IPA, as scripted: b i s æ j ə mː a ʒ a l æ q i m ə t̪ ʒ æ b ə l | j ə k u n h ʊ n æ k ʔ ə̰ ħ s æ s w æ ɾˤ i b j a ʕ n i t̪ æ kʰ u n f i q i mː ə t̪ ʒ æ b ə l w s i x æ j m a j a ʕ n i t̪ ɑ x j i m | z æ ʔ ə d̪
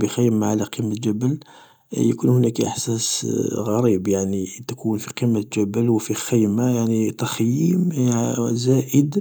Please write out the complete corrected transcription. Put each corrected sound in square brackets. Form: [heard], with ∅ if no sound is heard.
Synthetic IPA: b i [x] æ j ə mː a [ʕ] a l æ q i m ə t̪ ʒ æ b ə l | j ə k u n h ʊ n æ k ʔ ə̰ ħ s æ s [ɣ] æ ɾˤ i b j a ʕ n i t̪ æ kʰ u n f i q i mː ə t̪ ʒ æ b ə l w [f] i x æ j m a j a ʕ n i t̪ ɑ x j i m | z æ ʔ ə d̪

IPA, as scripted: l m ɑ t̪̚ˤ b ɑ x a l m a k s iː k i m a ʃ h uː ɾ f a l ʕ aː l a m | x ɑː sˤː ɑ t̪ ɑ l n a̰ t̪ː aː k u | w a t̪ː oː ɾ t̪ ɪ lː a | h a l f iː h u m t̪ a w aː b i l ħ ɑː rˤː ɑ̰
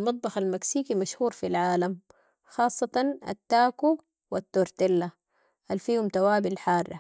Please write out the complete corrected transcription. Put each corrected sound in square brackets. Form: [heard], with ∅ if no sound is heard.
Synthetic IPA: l m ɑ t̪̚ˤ b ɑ x a l m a k s iː k i m a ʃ h uː ɾ f [i] l ʕ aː l a m | x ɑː sˤː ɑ t̪ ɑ [∅] n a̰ t̪ː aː k u | w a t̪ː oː ɾ t̪ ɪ lː a | h a l f iː h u m t̪ a w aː b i l ħ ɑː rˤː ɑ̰

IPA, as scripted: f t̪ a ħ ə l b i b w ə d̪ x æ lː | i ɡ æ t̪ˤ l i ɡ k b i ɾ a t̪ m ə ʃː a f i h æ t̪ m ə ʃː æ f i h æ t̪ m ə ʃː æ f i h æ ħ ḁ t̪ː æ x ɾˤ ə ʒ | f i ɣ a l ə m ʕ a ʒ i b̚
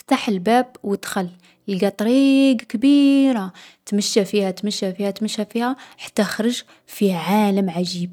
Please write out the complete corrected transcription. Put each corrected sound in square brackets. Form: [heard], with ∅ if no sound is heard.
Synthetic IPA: f t̪ a ħ ə l b [æ] b w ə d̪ x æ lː | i ɡ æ t̪ˤ [ɾ] i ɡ k b i ɾ a t̪ m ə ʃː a f i h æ t̪ m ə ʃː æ f i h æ t̪ m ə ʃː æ f i h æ ħ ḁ t̪ː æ x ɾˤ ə ʒ | f i [ʕ] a l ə m ʕ a ʒ i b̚

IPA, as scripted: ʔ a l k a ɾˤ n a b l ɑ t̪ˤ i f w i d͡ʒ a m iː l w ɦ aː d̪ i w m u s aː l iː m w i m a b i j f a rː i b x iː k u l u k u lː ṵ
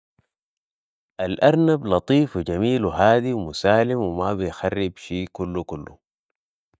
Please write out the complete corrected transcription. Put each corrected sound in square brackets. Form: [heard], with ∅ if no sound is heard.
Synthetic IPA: ʔ a l [ʔ] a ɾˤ n a b l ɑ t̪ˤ [iː] f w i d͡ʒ a m iː l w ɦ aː d̪ i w m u s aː l [i] m w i m a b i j [x] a rː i b [ʃ] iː k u [lː] u k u lː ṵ

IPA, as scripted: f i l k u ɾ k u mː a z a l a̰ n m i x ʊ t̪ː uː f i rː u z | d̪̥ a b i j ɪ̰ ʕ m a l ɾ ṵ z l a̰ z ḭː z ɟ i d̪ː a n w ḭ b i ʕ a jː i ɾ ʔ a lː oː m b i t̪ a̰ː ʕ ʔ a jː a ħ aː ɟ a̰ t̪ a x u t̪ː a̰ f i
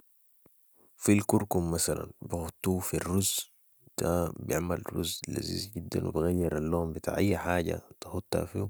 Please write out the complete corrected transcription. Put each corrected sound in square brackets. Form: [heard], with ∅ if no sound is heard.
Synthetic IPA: f i l k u ɾ k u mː a [s] a l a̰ n [b] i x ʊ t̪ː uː f i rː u z | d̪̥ a b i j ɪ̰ ʕ m a l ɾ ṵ z l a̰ z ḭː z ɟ i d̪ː a n w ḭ b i [ɣ] a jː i ɾ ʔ a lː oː m b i t̪ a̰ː ʕ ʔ a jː a ħ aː ɟ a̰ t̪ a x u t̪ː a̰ f i

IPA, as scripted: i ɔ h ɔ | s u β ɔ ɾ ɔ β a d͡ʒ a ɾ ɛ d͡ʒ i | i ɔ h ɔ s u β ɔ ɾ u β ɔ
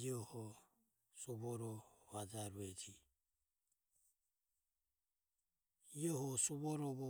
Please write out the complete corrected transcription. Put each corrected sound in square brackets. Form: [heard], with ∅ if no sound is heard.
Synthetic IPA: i ɔ h ɔ | s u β ɔ ɾ ɔ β a d͡ʒ a ɾ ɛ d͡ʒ i | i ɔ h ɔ s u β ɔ ɾ [ɔ] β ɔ

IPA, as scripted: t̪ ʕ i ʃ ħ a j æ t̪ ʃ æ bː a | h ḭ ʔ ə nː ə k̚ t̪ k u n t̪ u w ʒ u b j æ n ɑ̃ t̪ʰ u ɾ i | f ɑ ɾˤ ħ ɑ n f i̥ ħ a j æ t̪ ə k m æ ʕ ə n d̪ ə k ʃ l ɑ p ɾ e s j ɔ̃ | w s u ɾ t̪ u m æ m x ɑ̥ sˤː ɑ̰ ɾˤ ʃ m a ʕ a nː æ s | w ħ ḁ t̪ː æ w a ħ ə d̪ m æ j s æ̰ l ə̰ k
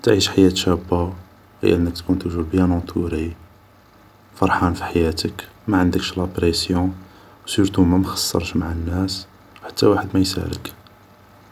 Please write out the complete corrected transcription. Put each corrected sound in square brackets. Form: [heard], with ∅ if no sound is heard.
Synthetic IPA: t̪ ʕ i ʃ ħ a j æ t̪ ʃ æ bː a | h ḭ ʔ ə nː ə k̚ t̪ k u n t̪ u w ʒ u b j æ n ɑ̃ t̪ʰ u ɾ i | f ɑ ɾˤ ħ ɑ n f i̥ ħ a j æ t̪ ə k m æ ʕ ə n d̪ ə k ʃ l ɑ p ɾ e s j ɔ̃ | w s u ɾ t̪ u m æ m x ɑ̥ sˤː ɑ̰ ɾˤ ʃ m a ʕ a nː æ s | w ħ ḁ t̪ː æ w a ħ ə d̪ m æ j s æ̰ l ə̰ k

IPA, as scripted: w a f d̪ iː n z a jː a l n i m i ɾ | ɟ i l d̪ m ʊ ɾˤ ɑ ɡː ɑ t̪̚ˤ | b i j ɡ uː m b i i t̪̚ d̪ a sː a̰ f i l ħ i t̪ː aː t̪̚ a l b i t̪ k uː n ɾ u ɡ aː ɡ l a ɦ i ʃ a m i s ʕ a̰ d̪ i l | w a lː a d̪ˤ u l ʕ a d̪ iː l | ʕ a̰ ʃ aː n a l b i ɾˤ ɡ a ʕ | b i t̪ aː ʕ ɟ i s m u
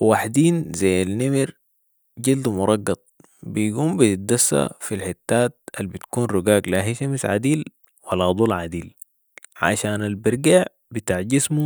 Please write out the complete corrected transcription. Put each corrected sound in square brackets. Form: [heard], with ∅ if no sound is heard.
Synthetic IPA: w a [ħ] d̪ iː n z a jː a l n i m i ɾ | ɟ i l d̪ m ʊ ɾˤ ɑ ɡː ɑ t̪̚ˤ | b i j ɡ uː m b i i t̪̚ d̪ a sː a̰ f i l ħ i t̪ː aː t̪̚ a l b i t̪ k uː n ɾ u ɡ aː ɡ l a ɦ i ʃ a m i s ʕ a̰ d̪ [iː] l | w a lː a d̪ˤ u l ʕ a d̪ iː l | ʕ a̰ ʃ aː n a l b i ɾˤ ɡ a ʕ | b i t̪ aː ʕ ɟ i s m u

